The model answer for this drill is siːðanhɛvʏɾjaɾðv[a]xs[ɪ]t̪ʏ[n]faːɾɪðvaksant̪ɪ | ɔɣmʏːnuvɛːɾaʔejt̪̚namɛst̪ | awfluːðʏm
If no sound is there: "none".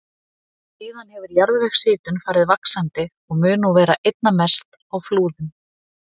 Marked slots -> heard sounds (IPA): ɛ, ɪː, n

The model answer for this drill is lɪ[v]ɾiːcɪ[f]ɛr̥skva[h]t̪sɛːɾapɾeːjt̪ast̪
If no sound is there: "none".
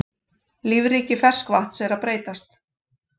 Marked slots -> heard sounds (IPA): v, f, h

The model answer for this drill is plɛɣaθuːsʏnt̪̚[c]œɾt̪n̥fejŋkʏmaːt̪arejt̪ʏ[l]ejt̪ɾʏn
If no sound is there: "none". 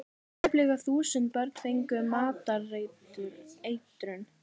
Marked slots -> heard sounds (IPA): p, ɾ

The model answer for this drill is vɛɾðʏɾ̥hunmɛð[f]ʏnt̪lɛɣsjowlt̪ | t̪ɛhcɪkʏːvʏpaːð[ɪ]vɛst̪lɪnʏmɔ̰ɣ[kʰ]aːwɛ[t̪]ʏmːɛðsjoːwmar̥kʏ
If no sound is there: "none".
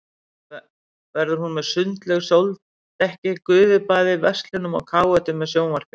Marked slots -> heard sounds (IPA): s, ɪ, kʰ, t̪

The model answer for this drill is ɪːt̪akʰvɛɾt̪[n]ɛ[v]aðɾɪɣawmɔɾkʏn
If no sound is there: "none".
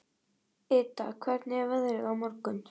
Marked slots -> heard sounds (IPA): n, v

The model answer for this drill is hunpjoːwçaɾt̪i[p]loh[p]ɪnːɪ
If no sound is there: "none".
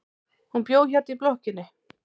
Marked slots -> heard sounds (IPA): p, c

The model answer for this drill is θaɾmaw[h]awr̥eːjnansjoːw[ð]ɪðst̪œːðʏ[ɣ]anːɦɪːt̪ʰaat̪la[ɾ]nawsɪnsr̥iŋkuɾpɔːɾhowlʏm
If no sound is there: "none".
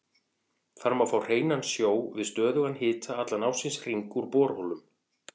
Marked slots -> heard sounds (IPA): f, v, ɣ, none

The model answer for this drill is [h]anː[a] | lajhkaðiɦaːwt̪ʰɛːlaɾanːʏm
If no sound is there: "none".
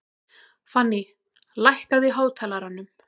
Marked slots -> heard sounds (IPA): f, i

